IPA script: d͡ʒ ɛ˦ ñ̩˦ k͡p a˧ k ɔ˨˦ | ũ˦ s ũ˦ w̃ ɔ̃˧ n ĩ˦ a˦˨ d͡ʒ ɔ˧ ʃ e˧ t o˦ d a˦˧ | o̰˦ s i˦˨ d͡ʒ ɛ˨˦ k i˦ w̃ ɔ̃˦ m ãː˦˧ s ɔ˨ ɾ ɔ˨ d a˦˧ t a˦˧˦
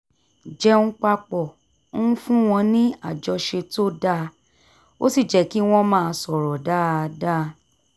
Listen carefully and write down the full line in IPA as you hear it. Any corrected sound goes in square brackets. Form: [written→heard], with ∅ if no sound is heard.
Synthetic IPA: d͡ʒ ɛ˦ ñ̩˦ k͡p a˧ [k→k͡p] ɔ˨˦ | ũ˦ [s→f] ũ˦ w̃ ɔ̃˧ n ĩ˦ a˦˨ d͡ʒ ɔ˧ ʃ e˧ t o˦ d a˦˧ | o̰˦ s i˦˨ d͡ʒ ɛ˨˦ k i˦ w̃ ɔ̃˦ m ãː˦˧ s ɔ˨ ɾ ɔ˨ d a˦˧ [t→d] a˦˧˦